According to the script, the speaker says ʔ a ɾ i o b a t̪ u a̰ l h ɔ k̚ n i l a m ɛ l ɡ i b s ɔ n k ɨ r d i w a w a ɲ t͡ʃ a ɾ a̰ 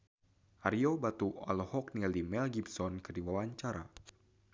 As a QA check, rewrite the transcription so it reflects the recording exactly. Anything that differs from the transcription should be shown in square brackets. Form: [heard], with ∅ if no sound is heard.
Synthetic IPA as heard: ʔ a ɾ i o b a t̪ u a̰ l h ɔ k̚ n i l [i] m ɛ l ɡ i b s ɔ n k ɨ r d i w a w a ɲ t͡ʃ a ɾ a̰